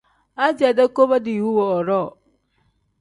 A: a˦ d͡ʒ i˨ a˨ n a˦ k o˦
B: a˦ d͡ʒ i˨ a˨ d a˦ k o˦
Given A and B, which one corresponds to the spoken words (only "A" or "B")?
B